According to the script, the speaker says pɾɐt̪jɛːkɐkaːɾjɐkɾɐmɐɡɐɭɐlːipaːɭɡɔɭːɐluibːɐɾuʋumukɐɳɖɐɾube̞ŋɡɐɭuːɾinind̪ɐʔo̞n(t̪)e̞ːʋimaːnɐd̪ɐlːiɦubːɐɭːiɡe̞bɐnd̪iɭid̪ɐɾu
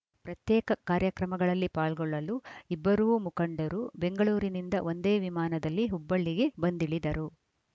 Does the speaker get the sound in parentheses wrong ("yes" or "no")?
yes